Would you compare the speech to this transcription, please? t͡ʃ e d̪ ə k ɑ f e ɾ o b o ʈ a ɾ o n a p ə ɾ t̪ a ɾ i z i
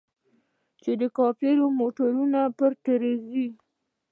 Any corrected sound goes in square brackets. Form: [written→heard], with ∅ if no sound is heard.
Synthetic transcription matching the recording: t͡ʃ e d̪ ə k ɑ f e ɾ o [b→m] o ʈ a ɾ [o→u] n a p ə ɾ t̪ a ɾ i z i